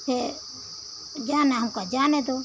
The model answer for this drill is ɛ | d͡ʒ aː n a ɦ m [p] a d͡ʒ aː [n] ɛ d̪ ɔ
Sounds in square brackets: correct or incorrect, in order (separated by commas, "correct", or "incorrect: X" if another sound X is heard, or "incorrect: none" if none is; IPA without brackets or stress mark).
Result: incorrect: k, correct